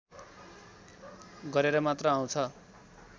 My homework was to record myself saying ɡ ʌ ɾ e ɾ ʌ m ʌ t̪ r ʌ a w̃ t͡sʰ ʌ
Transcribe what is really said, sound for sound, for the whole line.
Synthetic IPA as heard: ɡ ʌ ɾ e ɾ ʌ m a t̪ r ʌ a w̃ t͡sʰ ʌ

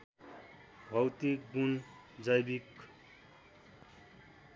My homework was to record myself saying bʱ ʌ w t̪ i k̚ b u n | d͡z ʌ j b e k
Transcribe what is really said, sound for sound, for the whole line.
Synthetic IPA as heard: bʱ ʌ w t̪ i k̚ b u n | d͡z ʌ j b i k

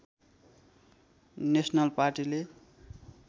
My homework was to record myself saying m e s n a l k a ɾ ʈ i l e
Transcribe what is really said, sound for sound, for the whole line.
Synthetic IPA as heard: n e s n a l p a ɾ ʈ i l e

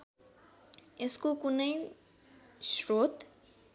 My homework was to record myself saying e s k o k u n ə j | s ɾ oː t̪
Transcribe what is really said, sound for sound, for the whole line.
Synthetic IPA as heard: e s k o k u n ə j | s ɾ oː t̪

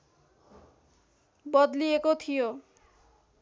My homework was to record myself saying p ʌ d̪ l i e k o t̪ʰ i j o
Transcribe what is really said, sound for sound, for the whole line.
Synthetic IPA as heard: b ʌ d̪ l i e k o t̪ʰ i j o

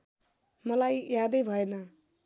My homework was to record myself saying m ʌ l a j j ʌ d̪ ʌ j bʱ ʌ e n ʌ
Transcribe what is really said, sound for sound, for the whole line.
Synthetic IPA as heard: m ʌ l a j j a d̪ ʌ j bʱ ʌ e n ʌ

